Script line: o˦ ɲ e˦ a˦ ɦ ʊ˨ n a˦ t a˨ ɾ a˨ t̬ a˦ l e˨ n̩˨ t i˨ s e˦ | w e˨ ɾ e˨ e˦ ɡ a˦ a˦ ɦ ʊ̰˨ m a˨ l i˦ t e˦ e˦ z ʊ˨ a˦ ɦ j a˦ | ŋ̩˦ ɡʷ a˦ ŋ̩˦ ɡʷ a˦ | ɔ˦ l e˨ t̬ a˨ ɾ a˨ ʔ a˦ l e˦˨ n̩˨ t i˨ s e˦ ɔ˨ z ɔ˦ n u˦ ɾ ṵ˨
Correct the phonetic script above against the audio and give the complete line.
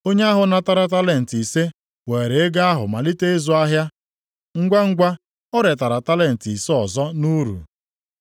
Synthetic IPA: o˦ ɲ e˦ a˦ ɦ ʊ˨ n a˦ t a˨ ɾ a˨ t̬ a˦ l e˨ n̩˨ t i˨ s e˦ | w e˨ ɾ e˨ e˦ ɡ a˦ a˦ ɦ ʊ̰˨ m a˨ l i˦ t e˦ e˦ z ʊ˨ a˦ ɦ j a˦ | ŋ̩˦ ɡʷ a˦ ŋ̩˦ ɡʷ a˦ | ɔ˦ ɾ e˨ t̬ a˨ ɾ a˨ t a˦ l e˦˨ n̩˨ t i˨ s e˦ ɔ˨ z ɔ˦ n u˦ ɾ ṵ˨

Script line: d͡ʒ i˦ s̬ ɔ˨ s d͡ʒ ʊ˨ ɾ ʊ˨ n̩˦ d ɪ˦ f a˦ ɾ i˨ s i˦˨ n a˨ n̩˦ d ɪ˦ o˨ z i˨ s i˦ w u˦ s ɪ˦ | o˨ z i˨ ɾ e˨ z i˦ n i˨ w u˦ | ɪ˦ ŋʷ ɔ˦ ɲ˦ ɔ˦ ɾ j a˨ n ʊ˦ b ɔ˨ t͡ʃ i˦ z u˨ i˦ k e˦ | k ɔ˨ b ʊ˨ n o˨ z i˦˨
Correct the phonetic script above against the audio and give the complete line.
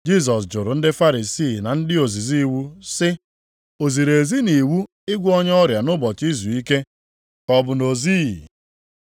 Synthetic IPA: d͡ʒ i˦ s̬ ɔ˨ s d͡ʒ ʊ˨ ɾ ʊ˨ n̩˦ d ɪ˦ f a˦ ɾ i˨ s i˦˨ n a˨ n̩˦ d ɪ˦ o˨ z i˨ z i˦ w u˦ s ɪ˦ | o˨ z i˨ ɾ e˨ z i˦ n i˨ w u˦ | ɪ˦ ɡʷ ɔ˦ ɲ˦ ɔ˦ ɾ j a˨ n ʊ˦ b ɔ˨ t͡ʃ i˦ z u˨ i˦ k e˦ | k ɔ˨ b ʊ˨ n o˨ z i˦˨

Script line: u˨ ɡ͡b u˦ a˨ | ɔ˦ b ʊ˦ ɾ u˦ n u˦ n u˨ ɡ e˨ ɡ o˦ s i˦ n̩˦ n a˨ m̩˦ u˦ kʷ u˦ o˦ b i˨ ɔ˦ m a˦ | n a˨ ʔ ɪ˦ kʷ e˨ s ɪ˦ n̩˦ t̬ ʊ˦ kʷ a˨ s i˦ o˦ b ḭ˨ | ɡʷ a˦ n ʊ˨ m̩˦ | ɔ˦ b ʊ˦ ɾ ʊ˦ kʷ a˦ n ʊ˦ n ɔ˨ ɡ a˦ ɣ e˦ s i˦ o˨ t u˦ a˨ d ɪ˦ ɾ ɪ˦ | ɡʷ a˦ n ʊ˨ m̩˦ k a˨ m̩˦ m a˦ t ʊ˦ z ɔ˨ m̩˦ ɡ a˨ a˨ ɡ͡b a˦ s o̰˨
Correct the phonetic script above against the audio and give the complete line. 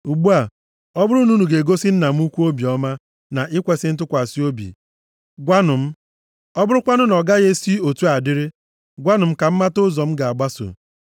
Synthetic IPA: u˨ ɡ͡b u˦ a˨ | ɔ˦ b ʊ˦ ɾ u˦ n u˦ n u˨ ɡ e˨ ɡ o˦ s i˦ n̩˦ n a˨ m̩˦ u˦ kʷ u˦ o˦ b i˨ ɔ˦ m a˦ | n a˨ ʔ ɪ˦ kʷ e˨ s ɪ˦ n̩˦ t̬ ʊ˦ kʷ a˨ s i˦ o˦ b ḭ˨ | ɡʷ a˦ n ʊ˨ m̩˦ | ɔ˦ b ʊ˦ ɾ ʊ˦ kʷ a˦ n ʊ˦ n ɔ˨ ɡ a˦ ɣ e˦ s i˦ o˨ t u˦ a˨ d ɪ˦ ɾ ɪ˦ | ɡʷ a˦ n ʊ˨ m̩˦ k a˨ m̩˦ m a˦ t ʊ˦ z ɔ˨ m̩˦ ɡ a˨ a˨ ɡ͡b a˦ s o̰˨

